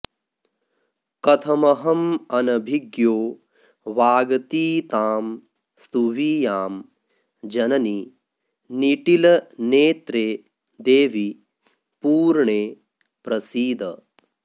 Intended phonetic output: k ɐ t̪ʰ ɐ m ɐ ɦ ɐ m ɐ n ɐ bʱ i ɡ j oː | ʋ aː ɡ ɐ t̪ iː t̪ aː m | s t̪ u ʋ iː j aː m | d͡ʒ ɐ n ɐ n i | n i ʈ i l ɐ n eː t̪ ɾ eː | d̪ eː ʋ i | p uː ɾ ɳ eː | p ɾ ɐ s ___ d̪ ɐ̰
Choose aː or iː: iː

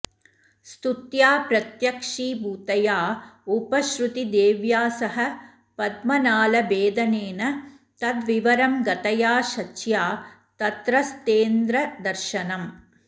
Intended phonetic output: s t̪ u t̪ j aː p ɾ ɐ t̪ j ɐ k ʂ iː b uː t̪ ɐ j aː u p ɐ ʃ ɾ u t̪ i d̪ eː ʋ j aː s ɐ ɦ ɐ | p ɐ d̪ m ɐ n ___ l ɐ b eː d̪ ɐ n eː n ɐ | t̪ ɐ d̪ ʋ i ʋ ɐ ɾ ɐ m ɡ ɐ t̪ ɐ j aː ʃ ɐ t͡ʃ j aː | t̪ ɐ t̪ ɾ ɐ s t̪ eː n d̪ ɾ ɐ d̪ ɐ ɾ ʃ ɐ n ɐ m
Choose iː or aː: aː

